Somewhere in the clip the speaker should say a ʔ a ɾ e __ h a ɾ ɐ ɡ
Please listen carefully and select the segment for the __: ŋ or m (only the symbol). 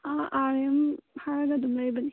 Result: m